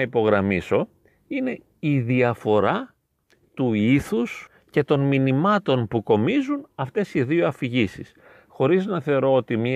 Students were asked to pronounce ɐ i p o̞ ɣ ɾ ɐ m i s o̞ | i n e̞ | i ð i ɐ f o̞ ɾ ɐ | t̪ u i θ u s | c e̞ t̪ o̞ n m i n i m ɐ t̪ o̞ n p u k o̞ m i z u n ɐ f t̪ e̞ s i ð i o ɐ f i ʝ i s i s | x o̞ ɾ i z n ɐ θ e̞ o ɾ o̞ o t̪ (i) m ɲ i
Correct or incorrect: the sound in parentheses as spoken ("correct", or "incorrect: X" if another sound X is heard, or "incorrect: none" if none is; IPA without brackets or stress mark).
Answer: correct